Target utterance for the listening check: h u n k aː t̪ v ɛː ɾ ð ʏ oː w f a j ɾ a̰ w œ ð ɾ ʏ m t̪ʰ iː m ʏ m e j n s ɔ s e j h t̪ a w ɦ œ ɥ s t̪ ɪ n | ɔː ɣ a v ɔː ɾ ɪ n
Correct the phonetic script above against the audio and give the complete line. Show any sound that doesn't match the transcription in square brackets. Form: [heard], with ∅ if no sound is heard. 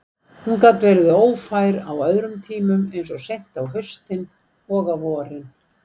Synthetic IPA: h u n k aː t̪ v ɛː ɾ ð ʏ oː w f a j ɾ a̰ w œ ð ɾ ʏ m t̪ʰ iː m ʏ m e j n s ɔ s e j h t̪ a w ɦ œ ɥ s t̪ ɪ n | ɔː ɣ a v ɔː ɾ ɪ n